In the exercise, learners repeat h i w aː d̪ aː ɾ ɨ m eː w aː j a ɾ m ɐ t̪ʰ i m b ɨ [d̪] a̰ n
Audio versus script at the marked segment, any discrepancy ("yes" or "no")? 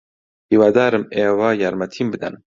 no